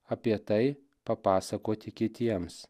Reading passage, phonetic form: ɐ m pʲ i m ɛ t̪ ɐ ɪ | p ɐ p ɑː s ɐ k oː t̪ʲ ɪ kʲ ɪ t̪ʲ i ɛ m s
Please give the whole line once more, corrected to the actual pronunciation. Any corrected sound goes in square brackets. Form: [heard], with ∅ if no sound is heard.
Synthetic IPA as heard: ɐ [∅] pʲ i [∅] ɛ t̪ ɐ ɪ | p ɐ p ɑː s ɐ k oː t̪ʲ ɪ kʲ ɪ t̪ʲ i ɛ m s